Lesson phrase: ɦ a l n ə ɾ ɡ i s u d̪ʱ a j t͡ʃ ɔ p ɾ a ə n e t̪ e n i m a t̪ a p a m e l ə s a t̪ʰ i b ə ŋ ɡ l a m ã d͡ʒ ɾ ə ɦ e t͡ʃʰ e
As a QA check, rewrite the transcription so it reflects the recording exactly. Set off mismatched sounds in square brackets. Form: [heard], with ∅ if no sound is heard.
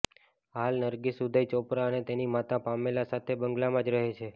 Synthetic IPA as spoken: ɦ a l n ə ɾ ɡ i s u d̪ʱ a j t͡ʃ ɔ p ɾ a ə n e t̪ e n i m a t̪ a p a m e l [a] s a t̪ʰ [e] b ə ŋ ɡ l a m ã d͡ʒ ɾ ə ɦ e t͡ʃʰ e